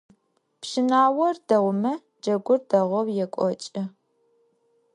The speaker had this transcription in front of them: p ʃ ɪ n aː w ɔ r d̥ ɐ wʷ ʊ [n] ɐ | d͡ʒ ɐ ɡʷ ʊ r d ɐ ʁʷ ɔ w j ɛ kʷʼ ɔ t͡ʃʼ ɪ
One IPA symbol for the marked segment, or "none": m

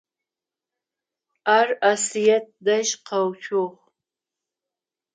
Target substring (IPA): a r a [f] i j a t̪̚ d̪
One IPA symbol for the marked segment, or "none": s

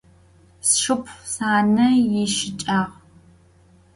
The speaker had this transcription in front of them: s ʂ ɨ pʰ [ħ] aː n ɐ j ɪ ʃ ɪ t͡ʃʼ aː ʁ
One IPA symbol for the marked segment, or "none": s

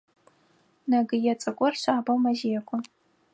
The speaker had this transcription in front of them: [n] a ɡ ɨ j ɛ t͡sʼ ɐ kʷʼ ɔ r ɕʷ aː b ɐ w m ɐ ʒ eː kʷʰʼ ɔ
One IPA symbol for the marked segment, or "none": n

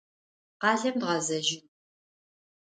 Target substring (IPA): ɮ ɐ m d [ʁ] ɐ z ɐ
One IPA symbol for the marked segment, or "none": ʁ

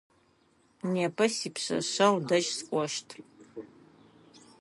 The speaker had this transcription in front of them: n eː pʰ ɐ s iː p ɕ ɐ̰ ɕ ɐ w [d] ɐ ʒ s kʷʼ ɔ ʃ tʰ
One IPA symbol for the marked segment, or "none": d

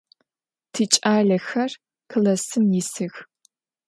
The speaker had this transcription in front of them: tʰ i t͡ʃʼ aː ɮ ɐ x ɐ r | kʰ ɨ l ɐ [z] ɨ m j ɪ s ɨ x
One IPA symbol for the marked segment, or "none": s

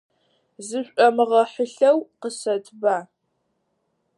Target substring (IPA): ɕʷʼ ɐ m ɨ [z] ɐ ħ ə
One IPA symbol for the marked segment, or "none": ʁ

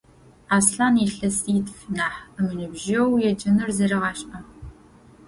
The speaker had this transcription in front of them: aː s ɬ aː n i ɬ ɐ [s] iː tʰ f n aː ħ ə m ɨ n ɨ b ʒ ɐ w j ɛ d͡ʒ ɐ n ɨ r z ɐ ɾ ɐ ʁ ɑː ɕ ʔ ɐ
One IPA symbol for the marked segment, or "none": s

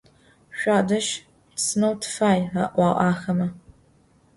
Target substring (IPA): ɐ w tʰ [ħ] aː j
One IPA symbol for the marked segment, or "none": f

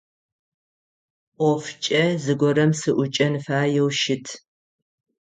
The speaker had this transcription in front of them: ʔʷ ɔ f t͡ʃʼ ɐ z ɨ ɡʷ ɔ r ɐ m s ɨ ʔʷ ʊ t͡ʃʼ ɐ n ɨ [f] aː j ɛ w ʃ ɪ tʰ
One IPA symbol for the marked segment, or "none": f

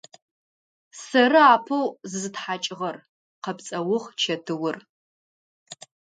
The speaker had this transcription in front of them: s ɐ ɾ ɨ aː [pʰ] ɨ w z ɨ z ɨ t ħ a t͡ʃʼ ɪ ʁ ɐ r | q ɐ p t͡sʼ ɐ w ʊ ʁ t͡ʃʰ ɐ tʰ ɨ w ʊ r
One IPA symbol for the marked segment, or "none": pʰ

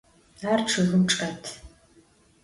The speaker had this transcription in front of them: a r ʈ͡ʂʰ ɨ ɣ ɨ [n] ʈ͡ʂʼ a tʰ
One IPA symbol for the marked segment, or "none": m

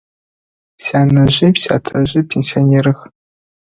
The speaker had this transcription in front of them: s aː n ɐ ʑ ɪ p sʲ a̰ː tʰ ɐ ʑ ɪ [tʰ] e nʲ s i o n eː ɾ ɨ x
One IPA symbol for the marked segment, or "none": pʰ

